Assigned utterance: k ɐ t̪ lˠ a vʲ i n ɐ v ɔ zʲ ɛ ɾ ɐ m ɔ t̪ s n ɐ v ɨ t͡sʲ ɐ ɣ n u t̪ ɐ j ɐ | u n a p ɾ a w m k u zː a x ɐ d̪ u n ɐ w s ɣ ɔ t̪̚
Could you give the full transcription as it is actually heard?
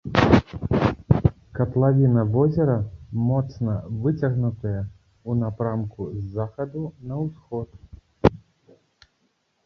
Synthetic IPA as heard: k ɐ t̪ lˠ a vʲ i n ɐ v ɔ zʲ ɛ ɾ ɐ m ɔ t̪ s n ɐ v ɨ t͡sʲ ɐ ɣ n u t̪ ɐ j ɐ | u n a p ɾ a m k u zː a x ɐ d̪ u n ɐ w s x ɔ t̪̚